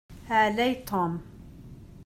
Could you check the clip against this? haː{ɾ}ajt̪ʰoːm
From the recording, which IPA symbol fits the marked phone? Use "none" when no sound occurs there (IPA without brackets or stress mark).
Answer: l